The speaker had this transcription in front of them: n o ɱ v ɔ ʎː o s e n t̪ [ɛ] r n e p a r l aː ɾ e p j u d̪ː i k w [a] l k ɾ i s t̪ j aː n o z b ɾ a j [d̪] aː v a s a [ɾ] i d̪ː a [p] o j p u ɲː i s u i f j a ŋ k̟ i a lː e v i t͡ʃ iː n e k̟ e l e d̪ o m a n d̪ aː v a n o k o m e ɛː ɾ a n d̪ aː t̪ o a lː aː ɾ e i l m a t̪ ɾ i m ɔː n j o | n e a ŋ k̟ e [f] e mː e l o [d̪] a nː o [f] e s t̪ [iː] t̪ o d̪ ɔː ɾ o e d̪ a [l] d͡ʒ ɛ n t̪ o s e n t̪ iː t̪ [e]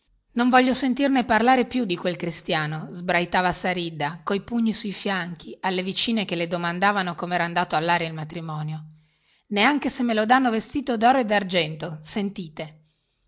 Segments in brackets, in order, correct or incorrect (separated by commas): incorrect, incorrect, incorrect, correct, incorrect, incorrect, correct, incorrect, correct, incorrect, correct